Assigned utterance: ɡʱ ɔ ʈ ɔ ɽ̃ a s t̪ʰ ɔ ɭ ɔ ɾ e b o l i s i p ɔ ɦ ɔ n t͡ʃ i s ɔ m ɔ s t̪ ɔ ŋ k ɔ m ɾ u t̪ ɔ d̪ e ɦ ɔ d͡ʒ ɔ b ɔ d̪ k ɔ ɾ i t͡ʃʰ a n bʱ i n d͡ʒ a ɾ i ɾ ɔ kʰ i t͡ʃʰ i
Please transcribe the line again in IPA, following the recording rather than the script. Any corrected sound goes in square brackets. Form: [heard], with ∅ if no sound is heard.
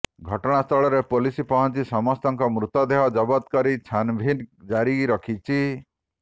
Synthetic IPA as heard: ɡʱ ɔ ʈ ɔ ɽ̃ a s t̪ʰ ɔ ɭ ɔ ɾ e [p] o l i s i p ɔ ɦ ɔ n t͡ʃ i s ɔ m ɔ s t̪ ɔ ŋ k ɔ m ɾ u t̪ ɔ d̪ e ɦ ɔ d͡ʒ ɔ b ɔ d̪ k ɔ ɾ i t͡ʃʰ a n bʱ i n d͡ʒ a ɾ i ɾ ɔ kʰ i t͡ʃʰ i

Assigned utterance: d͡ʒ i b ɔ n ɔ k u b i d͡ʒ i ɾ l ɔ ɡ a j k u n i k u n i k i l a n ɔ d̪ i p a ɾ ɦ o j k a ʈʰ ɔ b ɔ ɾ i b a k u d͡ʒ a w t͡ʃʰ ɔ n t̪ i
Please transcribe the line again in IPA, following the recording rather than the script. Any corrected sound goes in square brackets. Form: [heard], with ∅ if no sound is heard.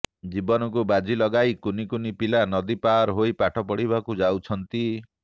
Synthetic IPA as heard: d͡ʒ i b ɔ n ɔ k u b [a] d͡ʒ i [∅] l ɔ ɡ a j k u n i k u n i [p] i l a n ɔ d̪ i p a ɾ ɦ o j [p] a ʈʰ ɔ [p] ɔ [ɽ] i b a k u d͡ʒ a w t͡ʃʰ ɔ n t̪ i

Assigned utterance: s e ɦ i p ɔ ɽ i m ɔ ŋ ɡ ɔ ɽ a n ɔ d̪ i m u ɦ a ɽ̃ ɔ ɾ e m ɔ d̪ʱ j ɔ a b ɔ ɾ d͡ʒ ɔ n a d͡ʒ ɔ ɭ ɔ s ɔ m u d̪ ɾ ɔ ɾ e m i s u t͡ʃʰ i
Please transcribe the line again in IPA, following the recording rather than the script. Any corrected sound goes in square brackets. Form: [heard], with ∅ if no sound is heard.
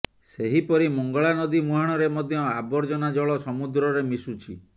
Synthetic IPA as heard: s e ɦ i p ɔ [ɾ] i m ɔ ŋ ɡ ɔ [ɭ] a n ɔ d̪ i m u ɦ a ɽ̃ ɔ ɾ e m ɔ d̪ʱ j ɔ a b ɔ ɾ d͡ʒ ɔ n a d͡ʒ ɔ ɭ ɔ s ɔ m u d̪ ɾ ɔ ɾ e m i s u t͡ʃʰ i

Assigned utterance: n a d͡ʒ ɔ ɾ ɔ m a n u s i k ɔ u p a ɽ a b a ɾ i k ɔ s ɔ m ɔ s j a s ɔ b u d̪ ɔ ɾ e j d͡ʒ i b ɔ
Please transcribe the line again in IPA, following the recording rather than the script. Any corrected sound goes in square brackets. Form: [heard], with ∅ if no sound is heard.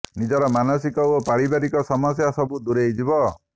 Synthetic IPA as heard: n [i] d͡ʒ ɔ ɾ ɔ m a n [ɔ] s i k ɔ [o] p a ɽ [i] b a ɾ i k ɔ s ɔ m ɔ s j a s ɔ b u d̪ [u] ɾ e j d͡ʒ i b ɔ

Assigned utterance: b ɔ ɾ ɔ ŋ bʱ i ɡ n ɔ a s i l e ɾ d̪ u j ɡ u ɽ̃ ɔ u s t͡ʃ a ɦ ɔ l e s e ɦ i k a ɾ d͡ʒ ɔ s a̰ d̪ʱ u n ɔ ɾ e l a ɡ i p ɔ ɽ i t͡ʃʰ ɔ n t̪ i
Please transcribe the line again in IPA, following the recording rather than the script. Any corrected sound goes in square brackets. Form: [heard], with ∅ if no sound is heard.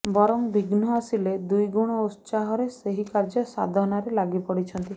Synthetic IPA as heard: b ɔ ɾ ɔ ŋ bʱ i ɡ n ɔ a s i l e [∅] d̪ u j ɡ u ɽ̃ ɔ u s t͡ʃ a ɦ ɔ [ɾ] e s e ɦ i k a ɾ d͡ʒ ɔ s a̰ d̪ʱ [ɔ] n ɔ ɾ e l a ɡ i p ɔ ɽ i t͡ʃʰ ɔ n t̪ i

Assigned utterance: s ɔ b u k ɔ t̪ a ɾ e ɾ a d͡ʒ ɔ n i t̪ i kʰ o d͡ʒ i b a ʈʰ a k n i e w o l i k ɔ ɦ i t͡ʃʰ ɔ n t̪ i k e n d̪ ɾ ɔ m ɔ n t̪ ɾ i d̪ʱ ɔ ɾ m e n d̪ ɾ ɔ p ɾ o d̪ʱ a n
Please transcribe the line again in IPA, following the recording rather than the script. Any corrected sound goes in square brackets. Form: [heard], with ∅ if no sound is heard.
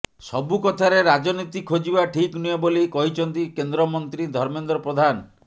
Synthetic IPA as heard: s ɔ b u k ɔ [t̪ʰ] a ɾ e ɾ a d͡ʒ ɔ n i t̪ i kʰ o d͡ʒ i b a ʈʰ [i] k n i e [b] o l i k ɔ ɦ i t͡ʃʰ ɔ n t̪ i k e n d̪ ɾ ɔ m ɔ n t̪ ɾ i d̪ʱ ɔ ɾ m e n d̪ ɾ ɔ p ɾ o d̪ʱ a n

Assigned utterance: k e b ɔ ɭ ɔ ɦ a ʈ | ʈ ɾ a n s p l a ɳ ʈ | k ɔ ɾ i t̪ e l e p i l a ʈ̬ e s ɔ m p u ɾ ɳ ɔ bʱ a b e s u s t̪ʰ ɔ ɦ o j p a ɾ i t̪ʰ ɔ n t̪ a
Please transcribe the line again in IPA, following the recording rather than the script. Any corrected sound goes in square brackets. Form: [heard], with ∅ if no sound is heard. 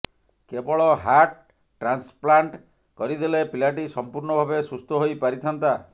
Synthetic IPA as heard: k e b ɔ ɭ ɔ ɦ a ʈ | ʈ ɾ a n s p l a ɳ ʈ | k ɔ ɾ i [d̪] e l e p i l a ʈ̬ [i] s ɔ m p u ɾ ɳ ɔ bʱ a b e s u s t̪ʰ ɔ ɦ o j p a ɾ i t̪ʰ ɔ n t̪ a

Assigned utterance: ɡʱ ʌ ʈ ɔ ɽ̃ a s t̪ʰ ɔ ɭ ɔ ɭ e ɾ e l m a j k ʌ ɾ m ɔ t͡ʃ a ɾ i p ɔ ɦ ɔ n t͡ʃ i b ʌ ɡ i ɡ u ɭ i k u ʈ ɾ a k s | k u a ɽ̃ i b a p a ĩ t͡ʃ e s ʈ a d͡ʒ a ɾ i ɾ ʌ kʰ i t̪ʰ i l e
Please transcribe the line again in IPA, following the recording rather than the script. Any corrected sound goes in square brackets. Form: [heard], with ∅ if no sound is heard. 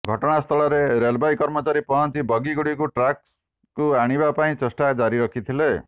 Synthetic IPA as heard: ɡʱ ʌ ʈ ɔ ɽ̃ a s t̪ʰ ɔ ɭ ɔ [ɾ] e ɾ e l [b] a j k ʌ ɾ m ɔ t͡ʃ a ɾ i p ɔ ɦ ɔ n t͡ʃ i b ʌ ɡ i ɡ u [ɽ] i k u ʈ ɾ a k s | k u a ɽ̃ i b a p a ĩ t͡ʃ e s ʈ a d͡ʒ a ɾ i ɾ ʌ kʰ i t̪ʰ i l e

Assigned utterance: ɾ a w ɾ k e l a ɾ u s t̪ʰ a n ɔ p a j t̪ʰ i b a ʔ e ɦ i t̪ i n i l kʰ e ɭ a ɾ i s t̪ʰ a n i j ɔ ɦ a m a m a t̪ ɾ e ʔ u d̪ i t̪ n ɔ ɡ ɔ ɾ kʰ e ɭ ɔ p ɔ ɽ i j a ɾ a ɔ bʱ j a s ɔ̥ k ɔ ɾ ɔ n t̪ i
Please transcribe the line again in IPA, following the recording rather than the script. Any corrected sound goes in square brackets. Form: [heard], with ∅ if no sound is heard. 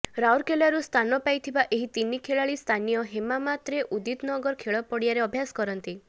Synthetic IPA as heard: ɾ a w ɾ k e l a ɾ u s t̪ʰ a n ɔ p a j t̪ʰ i b a ʔ e ɦ i t̪ i n i [∅] kʰ e ɭ a [ɭ] i s t̪ʰ a n i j ɔ ɦ [e] m a m a t̪ ɾ e ʔ u d̪ i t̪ n ɔ ɡ ɔ ɾ kʰ e ɭ ɔ p ɔ ɽ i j a ɾ [e] ɔ bʱ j a s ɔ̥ k ɔ ɾ ɔ n t̪ i

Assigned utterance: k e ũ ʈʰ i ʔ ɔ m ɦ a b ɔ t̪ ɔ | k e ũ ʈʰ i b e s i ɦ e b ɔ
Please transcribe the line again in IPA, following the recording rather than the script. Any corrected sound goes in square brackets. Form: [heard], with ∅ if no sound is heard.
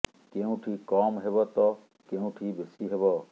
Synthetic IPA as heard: k e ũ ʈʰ i [k] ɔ m ɦ [e] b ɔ t̪ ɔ | k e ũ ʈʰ i b e s i ɦ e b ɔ

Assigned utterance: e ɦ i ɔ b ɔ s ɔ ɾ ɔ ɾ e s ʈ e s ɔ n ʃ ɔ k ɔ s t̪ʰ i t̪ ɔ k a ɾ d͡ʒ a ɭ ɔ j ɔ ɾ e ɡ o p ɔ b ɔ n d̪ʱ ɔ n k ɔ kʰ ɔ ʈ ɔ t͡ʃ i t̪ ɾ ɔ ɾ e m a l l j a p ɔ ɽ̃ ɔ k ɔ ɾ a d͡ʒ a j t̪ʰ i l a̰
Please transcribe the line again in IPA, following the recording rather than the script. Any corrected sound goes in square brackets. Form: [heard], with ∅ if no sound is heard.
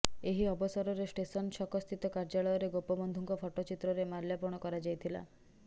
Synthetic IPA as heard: e ɦ i ɔ b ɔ s ɔ ɾ ɔ ɾ e s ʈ e s ɔ n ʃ ɔ k ɔ s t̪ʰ i t̪ ɔ k a ɾ d͡ʒ a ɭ ɔ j ɔ ɾ e ɡ o p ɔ b ɔ n d̪ʱ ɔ [ŋ] k ɔ [pʰ] ɔ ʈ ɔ t͡ʃ i t̪ ɾ ɔ ɾ e m a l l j a p ɔ ɽ̃ ɔ k ɔ ɾ a d͡ʒ a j t̪ʰ i l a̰

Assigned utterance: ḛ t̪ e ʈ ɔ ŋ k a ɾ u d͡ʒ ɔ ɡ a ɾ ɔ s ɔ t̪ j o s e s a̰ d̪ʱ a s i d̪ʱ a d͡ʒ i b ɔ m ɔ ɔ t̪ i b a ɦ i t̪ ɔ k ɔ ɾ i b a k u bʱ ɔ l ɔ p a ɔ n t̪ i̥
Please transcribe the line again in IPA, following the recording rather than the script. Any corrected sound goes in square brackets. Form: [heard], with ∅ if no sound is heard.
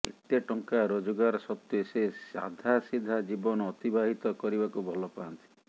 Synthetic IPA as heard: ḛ t̪ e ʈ ɔ ŋ k a ɾ [o] d͡ʒ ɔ ɡ a ɾ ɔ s ɔ t̪ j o s e s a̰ d̪ʱ a s i d̪ʱ a d͡ʒ i b ɔ [n] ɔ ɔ t̪ i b a ɦ i t̪ ɔ k ɔ ɾ i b a k u bʱ ɔ l ɔ p a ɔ n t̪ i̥

